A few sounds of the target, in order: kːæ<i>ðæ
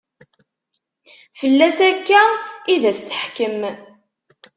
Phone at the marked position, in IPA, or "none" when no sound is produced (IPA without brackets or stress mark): i